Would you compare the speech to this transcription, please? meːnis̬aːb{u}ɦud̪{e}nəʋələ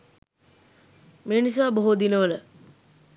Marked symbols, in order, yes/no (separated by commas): no, no